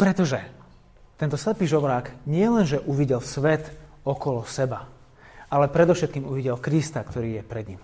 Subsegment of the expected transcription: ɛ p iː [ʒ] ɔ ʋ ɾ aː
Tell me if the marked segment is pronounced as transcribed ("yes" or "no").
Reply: yes